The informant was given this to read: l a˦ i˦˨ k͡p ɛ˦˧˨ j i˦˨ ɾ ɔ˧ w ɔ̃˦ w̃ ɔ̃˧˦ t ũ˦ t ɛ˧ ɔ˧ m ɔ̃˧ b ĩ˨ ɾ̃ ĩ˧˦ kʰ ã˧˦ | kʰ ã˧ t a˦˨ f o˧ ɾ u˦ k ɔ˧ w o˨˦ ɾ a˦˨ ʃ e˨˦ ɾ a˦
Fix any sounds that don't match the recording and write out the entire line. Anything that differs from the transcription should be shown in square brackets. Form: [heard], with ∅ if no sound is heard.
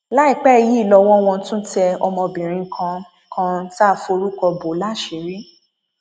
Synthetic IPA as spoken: l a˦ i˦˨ k͡p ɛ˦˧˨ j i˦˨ [l] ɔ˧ w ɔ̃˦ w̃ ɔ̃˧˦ t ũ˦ t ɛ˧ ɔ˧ m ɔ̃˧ b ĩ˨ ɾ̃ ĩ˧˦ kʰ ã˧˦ | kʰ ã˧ t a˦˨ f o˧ ɾ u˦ k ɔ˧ [b] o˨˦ [l] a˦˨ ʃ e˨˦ ɾ [i˦]